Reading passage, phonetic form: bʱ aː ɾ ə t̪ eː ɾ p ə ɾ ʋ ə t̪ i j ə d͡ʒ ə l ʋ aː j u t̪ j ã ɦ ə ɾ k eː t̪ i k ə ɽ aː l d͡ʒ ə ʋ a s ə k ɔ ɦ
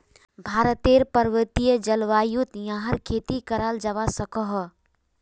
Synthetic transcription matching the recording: bʱ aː ɾ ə t̪ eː ɾ p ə ɾ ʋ ə t̪ i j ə d͡ʒ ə l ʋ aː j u t̪ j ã ɦ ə ɾ kʰ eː t̪ i k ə ɾ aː l d͡ʒ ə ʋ a s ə k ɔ ɦ

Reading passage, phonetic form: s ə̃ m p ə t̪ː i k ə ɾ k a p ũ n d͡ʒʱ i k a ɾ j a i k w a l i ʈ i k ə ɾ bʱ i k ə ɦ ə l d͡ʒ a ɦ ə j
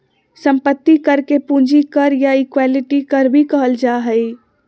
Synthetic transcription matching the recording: s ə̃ m p ə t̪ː i k ə ɾ k e p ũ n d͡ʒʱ i k ə ɾ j a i k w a l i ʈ i k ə ɾ bʱ i k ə ɦ ə l d͡ʒ a ɦ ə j

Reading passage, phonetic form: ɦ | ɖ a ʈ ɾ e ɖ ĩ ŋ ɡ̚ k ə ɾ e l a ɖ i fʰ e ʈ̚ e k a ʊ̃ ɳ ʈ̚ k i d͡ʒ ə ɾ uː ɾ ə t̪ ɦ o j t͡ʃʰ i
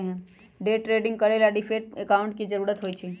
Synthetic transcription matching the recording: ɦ | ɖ e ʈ ɾ e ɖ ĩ ŋ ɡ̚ k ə ɾ e l a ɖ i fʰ e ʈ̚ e k a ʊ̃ ɳ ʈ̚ k i d͡ʒ ə ɾ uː ɾ ə t̪ ɦ o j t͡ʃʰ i

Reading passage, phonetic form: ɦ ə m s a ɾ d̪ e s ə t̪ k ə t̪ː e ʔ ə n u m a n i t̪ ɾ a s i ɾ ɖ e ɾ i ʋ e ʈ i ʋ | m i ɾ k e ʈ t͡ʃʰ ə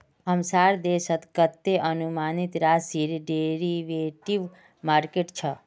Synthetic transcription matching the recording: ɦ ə m s a ɾ d̪ e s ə t̪ k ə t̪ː e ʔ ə n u m a n i t̪ ɾ a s i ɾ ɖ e ɾ i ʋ e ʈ i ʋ | m a ɾ k e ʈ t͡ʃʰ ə

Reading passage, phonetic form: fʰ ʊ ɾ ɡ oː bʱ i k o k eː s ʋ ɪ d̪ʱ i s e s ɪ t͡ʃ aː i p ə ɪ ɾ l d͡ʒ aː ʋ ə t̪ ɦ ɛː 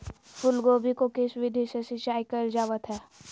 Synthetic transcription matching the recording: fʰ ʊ l ɡ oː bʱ i k o k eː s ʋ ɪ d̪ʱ i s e s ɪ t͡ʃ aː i k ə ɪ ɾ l d͡ʒ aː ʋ ə t̪ ɦ ɛː

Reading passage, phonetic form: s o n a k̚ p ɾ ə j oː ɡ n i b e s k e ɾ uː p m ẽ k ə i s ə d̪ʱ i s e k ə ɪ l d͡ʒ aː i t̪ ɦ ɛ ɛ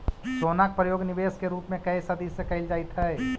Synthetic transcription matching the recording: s o n a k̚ p ɾ ə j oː ɡ n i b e s k e ɾ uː p m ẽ k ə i s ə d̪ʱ i s e k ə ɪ l d͡ʒ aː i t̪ ɦ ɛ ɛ

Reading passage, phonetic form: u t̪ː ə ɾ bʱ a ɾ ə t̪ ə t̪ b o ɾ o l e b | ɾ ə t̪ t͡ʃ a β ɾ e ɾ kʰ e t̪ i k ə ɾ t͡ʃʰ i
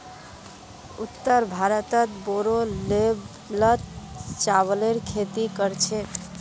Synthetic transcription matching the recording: u t̪ː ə ɾ bʱ a ɾ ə t̪ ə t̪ b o ɾ o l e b | l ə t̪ t͡ʃ a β l e ɾ kʰ e t̪ i k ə ɾ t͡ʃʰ e

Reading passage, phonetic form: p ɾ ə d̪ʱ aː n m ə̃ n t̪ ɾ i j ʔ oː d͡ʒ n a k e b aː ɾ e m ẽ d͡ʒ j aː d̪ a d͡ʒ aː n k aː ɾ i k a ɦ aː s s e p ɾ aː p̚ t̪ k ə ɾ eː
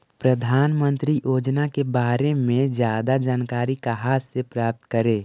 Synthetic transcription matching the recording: p ɾ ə d̪ʱ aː n m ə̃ n t̪ ɾ i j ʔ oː d͡ʒ n a k e b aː ɾ e m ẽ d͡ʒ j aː d̪ a d͡ʒ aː n k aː ɾ i k a ɦ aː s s e p ɾ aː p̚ t̪ k ə ɾ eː

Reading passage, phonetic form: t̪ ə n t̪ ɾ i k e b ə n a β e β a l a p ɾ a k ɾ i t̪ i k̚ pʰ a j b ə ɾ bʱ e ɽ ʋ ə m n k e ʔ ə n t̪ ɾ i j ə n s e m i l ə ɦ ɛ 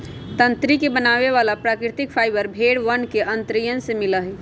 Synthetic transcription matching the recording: t̪ ə n t̪ ɾ i k e b ə n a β e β a l a p ɾ a k ɾ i t̪ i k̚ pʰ a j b ə ɾ bʱ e ɽ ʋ ə n k e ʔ ə n t̪ ɾ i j ə n s e m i l ə ɦ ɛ

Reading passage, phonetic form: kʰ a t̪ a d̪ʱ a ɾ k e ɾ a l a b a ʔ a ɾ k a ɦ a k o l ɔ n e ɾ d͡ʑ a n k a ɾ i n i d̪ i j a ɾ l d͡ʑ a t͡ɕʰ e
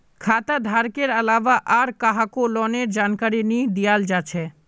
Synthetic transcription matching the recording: kʰ a t̪ a d̪ʱ a ɾ k e ɾ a l a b a ʔ a ɾ k a ɦ a k o l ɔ n e ɾ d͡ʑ a n k a ɾ i n i d̪ i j a l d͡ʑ a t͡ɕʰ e

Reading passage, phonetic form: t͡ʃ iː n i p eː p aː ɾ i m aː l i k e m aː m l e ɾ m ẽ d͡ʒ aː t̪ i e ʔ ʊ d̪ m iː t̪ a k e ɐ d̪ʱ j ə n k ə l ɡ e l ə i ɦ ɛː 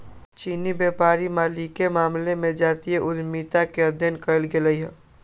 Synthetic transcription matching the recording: t͡ʃ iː n i b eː p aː ɾ i m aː l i k e m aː m l e m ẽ d͡ʒ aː t̪ i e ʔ ʊ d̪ m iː t̪ a k e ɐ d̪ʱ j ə n k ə l ɡ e l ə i ɦ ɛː

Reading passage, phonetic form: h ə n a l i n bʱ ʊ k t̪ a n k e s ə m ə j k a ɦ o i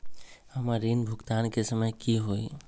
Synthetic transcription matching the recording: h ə m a ɾ i n bʱ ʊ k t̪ a n k e s ə m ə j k i ɦ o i

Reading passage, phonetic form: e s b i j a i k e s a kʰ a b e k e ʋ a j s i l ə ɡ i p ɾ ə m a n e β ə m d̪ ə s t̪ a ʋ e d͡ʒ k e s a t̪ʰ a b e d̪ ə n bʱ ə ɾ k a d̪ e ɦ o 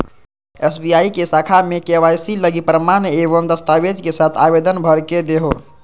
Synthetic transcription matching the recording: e s b i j a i k e s a kʰ a m e k e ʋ a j s i l ə ɡ i p ɾ ə m a n e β ə m d̪ ə s t̪ a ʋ e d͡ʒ k e s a t̪ʰ a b e d̪ ə n bʱ ə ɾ k e d̪ e ɦ o

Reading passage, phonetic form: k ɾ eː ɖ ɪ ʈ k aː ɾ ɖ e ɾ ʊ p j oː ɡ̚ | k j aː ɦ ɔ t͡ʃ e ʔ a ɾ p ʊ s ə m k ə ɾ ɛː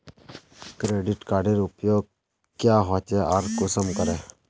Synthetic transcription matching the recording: k ɾ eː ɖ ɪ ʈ k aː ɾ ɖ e ɾ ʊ p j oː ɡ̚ | k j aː ɦ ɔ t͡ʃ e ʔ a ɾ k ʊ s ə m k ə ɾ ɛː

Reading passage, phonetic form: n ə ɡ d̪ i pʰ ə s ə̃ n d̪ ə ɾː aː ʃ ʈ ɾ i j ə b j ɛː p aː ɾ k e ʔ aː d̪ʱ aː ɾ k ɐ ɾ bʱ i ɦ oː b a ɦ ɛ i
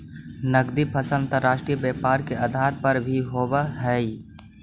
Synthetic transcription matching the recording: n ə ɡ d̪ i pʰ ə s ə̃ n t̪ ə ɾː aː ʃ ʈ ɾ i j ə b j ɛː p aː ɾ k e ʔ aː d̪ʱ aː ɾ p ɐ ɾ bʱ i ɦ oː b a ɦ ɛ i

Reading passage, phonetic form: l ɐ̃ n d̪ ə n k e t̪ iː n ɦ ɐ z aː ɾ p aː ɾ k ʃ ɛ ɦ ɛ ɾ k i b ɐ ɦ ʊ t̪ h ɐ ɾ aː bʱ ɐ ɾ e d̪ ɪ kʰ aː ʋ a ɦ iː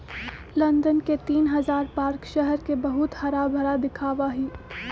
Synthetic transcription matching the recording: l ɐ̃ n d̪ ə n k e t̪ iː n ɦ ɐ z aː ɾ p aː ɾ k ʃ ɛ ɦ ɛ ɾ k e b ɐ ɦ ʊ t̪ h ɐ ɾ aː bʱ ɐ ɾ a d̪ ɪ kʰ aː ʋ a ɦ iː

